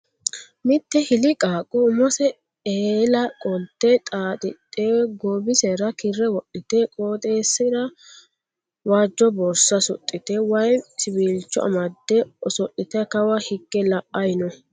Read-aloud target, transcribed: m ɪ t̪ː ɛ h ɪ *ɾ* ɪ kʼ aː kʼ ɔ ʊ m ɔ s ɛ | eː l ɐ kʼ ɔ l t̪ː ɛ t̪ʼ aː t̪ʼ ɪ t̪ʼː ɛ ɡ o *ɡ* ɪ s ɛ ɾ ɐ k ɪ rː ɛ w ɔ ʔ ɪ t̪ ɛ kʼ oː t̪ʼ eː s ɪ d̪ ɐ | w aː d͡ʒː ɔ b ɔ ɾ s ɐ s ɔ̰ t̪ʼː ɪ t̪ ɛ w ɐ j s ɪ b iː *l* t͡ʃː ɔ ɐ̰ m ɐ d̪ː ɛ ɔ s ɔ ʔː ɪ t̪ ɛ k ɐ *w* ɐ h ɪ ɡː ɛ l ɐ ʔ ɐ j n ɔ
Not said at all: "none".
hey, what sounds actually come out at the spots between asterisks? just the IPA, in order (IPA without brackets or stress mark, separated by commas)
l, b, l, w